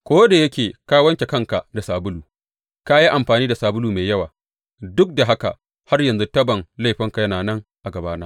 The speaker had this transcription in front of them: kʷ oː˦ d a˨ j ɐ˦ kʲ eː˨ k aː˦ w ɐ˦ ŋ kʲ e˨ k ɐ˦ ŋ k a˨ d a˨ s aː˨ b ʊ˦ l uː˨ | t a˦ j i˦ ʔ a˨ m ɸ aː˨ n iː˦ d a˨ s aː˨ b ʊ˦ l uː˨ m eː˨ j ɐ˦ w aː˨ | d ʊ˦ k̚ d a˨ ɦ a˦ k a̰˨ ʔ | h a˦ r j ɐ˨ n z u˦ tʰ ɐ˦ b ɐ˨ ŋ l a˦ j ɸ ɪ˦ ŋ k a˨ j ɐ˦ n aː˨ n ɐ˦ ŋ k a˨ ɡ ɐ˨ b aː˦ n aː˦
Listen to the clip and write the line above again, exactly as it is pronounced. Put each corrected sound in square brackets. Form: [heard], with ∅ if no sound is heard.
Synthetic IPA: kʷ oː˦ d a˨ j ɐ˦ kʲ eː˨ k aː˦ w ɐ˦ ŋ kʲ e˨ k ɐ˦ ŋ k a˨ d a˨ s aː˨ b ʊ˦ l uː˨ | [k] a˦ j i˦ ʔ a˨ m ɸ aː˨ n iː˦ d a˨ s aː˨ b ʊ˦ l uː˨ m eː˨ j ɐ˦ w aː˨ | d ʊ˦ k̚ d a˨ ɦ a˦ k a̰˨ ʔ | h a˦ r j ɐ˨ n z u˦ [t] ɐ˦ b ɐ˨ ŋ l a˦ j ɸ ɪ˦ ŋ k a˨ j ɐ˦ n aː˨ n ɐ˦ ŋ [ʔ] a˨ ɡ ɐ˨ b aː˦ n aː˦